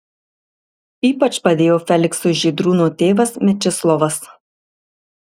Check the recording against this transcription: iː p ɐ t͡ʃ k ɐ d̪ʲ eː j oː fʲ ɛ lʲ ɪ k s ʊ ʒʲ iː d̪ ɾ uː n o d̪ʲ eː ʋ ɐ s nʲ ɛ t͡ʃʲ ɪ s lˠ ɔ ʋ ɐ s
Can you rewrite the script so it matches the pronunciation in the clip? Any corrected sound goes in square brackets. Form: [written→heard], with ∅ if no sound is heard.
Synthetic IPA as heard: iː p ɐ t͡ʃ [k→p] ɐ d̪ʲ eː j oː fʲ ɛ lʲ ɪ k s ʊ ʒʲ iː d̪ ɾ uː n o [d̪ʲ→t̪ʲ] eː ʋ ɐ s [nʲ→mʲ] ɛ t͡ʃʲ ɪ s lˠ ɔ ʋ ɐ s

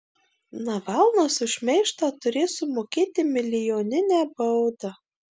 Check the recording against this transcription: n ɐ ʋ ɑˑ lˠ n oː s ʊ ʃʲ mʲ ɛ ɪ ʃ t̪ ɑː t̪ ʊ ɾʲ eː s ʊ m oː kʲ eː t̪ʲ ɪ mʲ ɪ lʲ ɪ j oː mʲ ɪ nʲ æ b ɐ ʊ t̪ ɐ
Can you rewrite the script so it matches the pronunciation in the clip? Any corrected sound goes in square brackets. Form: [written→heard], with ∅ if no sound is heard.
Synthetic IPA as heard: n ɐ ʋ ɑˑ lˠ n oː s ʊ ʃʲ mʲ ɛ ɪ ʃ t̪ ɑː t̪ ʊ ɾʲ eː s ʊ m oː kʲ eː t̪ʲ ɪ mʲ ɪ lʲ ɪ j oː [mʲ→nʲ] ɪ nʲ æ b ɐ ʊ [t̪→d̪] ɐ

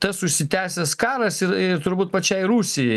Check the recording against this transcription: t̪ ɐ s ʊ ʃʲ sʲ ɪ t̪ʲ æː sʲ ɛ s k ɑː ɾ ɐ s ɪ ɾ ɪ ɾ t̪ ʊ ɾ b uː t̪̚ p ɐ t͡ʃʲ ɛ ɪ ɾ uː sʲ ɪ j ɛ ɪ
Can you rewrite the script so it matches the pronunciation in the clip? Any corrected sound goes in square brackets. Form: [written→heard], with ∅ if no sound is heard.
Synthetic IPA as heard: t̪ ɐ s ʊ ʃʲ sʲ ɪ t̪ʲ æː sʲ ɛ s k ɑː ɾ ɐ s ɪ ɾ ɪ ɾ t̪ ʊ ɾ b uː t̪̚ p ɐ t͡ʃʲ ɛ ɪ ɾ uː sʲ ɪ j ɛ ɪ

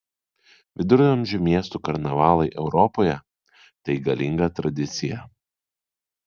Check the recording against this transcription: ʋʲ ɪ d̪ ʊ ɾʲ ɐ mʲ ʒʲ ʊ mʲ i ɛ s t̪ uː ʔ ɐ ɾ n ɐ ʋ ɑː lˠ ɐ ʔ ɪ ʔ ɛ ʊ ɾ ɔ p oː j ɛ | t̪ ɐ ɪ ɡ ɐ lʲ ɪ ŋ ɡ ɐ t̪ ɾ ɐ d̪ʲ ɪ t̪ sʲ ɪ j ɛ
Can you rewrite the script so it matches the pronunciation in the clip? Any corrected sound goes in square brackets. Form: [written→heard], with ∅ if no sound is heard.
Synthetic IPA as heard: ʋʲ ɪ d̪ ʊ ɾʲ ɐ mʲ ʒʲ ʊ mʲ i ɛ s t̪ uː [ʔ→k] ɐ ɾ n ɐ ʋ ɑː lˠ ɐ [ʔ→∅] ɪ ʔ ɛ ʊ ɾ ɔ p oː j ɛ | t̪ ɐ ɪ ɡ ɐ lʲ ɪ ŋ ɡ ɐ t̪ ɾ ɐ d̪ʲ ɪ t̪ sʲ ɪ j ɛ

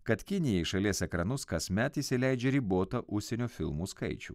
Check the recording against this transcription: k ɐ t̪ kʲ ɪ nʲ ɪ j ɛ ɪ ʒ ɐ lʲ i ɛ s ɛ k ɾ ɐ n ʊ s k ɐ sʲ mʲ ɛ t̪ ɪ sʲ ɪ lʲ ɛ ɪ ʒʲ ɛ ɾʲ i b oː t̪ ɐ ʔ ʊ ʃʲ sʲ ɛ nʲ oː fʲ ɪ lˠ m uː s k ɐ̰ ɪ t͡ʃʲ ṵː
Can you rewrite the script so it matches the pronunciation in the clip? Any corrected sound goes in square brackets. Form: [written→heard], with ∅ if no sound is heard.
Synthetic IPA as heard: k ɐ t̪ kʲ ɪ nʲ ɪ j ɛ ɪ [ʒ→ʃ] ɐ lʲ i ɛ s ɛ k ɾ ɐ n ʊ s k ɐ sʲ mʲ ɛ t̪ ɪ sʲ ɪ lʲ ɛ ɪ [ʒʲ→d͡ʒʲ] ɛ ɾʲ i b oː t̪ ɐ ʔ ʊ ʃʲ sʲ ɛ nʲ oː fʲ ɪ lˠ m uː s k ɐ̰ ɪ t͡ʃʲ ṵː

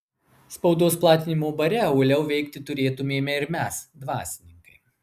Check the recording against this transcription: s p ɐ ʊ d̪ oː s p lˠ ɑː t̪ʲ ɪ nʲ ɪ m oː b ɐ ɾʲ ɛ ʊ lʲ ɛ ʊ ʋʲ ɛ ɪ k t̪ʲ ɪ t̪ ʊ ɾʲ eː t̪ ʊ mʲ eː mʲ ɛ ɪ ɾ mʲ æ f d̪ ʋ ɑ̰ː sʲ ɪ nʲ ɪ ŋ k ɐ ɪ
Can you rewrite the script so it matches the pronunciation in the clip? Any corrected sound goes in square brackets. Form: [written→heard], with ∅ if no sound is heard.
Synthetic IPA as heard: s p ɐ ʊ d̪ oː s p lˠ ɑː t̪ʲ ɪ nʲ ɪ m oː b ɐ ɾʲ ɛ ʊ lʲ ɛ ʊ ʋʲ ɛ ɪ k t̪ʲ ɪ t̪ ʊ ɾʲ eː t̪ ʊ mʲ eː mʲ ɛ ɪ ɾ mʲ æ [f→s] d̪ ʋ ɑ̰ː sʲ ɪ nʲ ɪ ŋ k ɐ ɪ

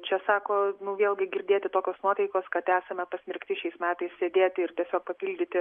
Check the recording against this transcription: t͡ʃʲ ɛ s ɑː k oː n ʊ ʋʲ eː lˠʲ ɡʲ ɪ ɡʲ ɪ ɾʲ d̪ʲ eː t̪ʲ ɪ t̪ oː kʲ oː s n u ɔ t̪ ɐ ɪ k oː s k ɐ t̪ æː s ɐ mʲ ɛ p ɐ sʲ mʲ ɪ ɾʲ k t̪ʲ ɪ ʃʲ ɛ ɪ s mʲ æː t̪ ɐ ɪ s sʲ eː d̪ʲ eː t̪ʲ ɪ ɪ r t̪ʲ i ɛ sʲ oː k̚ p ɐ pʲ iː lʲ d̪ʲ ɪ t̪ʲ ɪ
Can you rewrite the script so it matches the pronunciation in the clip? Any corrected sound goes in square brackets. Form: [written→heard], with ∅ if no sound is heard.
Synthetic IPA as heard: t͡ʃʲ ɛ s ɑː k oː n ʊ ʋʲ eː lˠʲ ɡʲ ɪ ɡʲ ɪ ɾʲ d̪ʲ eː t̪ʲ ɪ t̪ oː kʲ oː s n u ɔ t̪ ɐ ɪ k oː s k ɐ t̪ æː s ɐ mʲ ɛ p ɐ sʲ mʲ ɪ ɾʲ k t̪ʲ ɪ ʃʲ ɛ ɪ s mʲ æː t̪ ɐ ɪ s sʲ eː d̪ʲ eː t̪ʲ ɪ ɪ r t̪ʲ i ɛ sʲ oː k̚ p ɐ pʲ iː lʲ d̪ʲ ɪ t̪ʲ ɪ

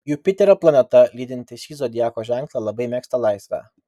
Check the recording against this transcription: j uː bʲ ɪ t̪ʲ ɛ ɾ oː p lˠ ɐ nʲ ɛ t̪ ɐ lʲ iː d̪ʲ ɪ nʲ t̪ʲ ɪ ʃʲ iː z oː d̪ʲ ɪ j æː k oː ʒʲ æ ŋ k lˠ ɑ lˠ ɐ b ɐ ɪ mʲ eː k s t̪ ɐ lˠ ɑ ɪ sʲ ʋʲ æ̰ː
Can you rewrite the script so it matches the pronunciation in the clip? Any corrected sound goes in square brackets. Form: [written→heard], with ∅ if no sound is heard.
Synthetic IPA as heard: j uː [bʲ→pʲ] ɪ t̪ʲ ɛ ɾ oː p lˠ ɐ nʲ ɛ t̪ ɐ lʲ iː d̪ʲ ɪ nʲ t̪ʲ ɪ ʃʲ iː z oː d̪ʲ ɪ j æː k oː ʒʲ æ ŋ k lˠ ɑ lˠ ɐ b ɐ ɪ mʲ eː k s t̪ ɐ lˠ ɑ ɪ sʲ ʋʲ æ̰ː

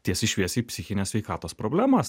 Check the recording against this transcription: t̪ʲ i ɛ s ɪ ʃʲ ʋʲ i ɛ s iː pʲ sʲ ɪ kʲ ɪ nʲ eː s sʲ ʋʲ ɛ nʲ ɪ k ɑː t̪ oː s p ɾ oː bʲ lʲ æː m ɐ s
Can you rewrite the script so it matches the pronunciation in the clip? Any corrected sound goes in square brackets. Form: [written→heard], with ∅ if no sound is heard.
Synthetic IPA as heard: t̪ʲ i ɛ s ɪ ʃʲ ʋʲ i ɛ s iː pʲ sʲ ɪ [kʲ→xʲ] ɪ nʲ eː s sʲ ʋʲ ɛ [nʲ→∅] ɪ k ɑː t̪ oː s p ɾ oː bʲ lʲ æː m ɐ s

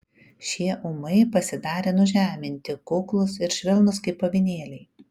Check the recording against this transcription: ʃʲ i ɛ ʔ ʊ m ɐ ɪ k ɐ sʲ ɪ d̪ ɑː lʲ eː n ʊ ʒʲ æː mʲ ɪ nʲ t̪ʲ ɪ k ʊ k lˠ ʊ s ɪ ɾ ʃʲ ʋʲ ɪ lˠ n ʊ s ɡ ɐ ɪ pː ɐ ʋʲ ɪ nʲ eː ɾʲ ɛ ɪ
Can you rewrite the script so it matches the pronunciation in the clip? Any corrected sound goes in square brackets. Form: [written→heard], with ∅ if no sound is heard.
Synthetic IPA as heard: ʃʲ i ɛ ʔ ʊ m ɐ ɪ [k→p] ɐ sʲ ɪ d̪ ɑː [lʲ→ɾʲ] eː n ʊ ʒʲ æː mʲ ɪ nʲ t̪ʲ ɪ k ʊ k lˠ ʊ s ɪ ɾ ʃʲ ʋʲ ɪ lˠ n ʊ s [ɡ→k] ɐ ɪ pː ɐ ʋʲ ɪ nʲ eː [ɾʲ→lʲ] ɛ ɪ

